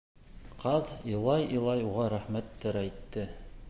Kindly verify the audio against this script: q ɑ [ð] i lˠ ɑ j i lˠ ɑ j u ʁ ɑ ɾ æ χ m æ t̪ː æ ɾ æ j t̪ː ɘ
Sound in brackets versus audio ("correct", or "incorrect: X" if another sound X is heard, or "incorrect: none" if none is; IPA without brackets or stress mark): correct